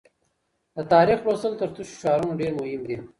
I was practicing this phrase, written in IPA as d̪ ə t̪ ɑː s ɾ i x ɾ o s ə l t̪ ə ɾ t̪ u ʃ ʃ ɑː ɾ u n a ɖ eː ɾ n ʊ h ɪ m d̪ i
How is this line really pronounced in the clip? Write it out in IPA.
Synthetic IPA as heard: d̪ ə t̪ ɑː ɾ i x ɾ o s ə l t̪ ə ɾ t̪ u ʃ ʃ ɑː ɾ u n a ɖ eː ɾ m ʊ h ɪ m d̪ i